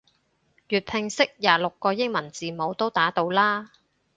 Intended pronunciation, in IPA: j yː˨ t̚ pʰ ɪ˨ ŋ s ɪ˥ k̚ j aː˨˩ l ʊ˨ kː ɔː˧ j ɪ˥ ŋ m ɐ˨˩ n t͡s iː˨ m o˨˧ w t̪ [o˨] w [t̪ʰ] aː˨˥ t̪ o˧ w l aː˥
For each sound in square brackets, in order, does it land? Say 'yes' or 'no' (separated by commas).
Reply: no, no